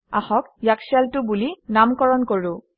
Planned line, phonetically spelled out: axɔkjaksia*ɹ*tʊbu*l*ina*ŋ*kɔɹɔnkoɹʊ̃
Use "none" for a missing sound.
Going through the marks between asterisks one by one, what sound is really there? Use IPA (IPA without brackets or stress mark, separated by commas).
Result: l, l, m